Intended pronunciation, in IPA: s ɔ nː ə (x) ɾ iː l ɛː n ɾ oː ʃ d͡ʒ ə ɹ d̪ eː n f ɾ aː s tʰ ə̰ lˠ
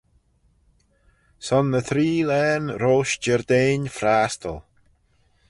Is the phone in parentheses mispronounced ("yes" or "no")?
yes